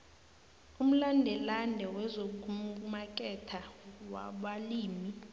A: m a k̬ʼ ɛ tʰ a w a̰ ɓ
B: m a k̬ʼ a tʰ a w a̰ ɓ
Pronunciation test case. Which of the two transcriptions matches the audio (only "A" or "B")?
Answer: A